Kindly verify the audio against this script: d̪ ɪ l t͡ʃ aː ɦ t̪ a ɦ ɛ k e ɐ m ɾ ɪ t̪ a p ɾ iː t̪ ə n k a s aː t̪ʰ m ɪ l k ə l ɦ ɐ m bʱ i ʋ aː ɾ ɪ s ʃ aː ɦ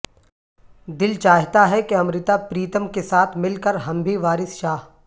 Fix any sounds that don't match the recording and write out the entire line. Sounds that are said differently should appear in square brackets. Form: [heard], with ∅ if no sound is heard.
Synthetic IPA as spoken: d̪ ɪ l t͡ʃ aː ɦ t̪ a ɦ ɛ k e ɐ m ɾ ɪ t̪ a p ɾ iː t̪ ə [m] k [e] s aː t̪ʰ m ɪ l k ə [ɾ] ɦ ɐ m bʱ i ʋ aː ɾ ɪ s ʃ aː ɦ